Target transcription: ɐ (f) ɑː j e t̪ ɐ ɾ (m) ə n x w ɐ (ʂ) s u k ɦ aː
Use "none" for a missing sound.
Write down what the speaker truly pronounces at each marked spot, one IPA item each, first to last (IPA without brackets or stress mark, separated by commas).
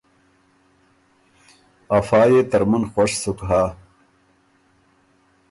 f, m, ʂ